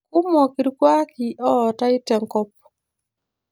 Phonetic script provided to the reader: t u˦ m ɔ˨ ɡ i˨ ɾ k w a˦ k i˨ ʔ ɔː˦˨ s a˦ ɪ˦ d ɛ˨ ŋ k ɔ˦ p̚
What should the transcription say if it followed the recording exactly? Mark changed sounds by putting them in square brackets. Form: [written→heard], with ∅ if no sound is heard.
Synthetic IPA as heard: [t→k] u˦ m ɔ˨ [ɡ→k] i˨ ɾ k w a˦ k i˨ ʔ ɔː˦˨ [s→t] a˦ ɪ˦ [d→t] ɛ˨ ŋ k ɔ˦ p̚